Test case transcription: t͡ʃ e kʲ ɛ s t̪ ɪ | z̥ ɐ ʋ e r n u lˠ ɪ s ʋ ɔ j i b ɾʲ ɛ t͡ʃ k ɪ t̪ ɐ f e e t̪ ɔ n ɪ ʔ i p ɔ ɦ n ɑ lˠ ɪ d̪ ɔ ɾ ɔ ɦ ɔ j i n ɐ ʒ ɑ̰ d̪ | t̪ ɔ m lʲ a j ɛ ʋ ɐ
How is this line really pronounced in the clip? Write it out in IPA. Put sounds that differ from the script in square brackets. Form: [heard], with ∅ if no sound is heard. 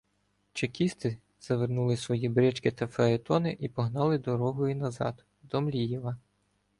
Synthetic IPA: t͡ʃ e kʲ [i] s t̪ ɪ | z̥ ɐ ʋ e r n u lˠ ɪ s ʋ ɔ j i b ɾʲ ɛ t͡ʃ k ɪ t̪ ɐ f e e t̪ ɔ n ɪ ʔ i p ɔ ɦ n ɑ lˠ ɪ d̪ ɔ ɾ ɔ ɦ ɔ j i n ɐ [z] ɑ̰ d̪ | [d̪] ɔ m lʲ [i] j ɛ ʋ ɐ